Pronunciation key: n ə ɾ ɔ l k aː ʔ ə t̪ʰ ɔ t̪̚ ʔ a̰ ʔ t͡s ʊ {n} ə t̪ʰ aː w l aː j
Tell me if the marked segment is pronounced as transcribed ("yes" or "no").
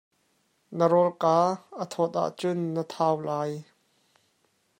no